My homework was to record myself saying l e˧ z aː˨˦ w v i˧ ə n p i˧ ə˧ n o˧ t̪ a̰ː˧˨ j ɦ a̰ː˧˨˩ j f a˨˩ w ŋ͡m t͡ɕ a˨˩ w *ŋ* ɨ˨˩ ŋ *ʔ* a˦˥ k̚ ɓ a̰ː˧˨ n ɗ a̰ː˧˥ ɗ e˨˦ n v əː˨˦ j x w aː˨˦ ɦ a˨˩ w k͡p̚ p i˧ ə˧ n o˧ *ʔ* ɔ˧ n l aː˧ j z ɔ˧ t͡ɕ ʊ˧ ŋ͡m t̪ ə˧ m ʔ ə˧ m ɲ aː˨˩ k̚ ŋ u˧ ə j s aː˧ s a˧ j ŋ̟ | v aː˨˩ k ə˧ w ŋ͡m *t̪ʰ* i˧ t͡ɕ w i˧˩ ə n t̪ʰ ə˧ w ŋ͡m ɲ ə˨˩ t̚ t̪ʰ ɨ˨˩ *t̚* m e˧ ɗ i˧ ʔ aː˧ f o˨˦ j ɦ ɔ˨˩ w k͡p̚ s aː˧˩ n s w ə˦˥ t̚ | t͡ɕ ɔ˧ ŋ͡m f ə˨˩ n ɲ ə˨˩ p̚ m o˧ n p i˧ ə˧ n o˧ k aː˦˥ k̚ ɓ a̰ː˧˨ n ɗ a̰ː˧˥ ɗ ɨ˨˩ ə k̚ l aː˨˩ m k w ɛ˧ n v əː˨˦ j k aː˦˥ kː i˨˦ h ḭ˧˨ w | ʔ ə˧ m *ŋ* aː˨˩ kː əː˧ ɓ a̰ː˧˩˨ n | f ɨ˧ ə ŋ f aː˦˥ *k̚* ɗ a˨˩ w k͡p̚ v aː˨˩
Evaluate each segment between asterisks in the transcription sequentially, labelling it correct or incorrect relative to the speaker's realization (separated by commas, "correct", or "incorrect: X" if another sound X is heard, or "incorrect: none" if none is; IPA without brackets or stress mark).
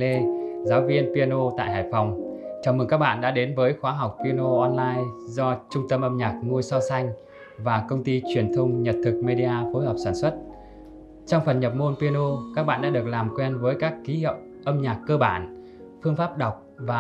incorrect: m, incorrect: k, correct, incorrect: t̪, incorrect: k̚, incorrect: ɲ, incorrect: p̚